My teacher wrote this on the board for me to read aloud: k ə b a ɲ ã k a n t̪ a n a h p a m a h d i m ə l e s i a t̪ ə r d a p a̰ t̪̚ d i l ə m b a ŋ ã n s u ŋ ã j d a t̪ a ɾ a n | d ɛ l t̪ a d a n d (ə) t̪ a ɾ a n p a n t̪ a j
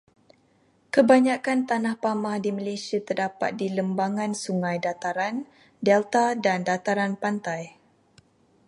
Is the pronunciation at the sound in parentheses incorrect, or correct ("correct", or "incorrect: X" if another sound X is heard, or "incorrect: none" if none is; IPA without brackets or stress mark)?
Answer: incorrect: a